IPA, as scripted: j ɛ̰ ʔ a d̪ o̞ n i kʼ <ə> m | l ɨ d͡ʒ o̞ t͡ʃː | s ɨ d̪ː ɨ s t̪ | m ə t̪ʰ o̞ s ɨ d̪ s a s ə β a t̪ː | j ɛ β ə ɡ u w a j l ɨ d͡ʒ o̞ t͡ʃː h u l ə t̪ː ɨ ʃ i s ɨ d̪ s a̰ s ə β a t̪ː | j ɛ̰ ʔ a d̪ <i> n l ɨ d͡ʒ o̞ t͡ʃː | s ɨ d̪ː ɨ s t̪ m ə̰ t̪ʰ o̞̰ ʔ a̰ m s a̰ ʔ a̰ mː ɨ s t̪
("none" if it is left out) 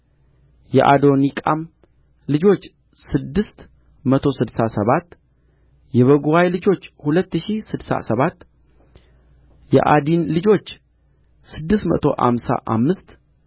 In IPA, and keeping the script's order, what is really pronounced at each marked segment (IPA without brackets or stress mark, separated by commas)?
a, i